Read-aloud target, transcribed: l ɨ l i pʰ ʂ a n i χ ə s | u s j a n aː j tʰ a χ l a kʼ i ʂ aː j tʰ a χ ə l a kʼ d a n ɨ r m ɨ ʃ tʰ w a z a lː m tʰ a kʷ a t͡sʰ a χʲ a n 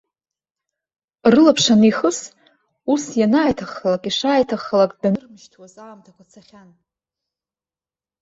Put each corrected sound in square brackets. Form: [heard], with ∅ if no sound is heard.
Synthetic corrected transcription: [r] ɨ l [a] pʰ ʂ a n i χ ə s | u s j a n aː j tʰ a χ l a kʼ i ʂ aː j tʰ a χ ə l a kʼ d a n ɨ r m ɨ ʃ tʰ w a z a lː m tʰ a kʷ a t͡sʰ a χʲ a n